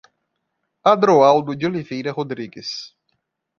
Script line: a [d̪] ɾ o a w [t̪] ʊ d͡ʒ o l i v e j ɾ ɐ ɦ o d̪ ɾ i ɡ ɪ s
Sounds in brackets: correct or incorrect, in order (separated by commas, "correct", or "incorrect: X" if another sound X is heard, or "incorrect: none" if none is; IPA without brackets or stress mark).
correct, incorrect: d̪